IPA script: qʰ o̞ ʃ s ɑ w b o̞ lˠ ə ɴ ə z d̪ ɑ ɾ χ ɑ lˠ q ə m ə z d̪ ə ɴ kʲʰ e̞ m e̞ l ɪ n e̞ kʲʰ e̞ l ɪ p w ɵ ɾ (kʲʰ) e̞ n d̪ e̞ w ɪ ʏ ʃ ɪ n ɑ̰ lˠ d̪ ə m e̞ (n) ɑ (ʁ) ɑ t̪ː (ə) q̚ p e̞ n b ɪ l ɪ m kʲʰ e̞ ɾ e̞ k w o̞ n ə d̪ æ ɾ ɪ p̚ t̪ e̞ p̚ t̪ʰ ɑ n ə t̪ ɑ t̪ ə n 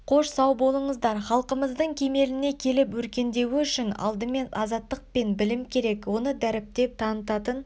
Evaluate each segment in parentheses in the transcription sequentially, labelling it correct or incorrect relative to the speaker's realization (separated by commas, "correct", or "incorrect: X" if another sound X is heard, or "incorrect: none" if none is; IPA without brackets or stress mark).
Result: incorrect: kʲ, correct, incorrect: z, correct